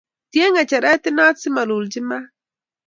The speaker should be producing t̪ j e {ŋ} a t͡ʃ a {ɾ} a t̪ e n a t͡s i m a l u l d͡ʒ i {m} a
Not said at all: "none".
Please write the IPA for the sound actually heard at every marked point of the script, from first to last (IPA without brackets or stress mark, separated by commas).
ŋ, ɾ, m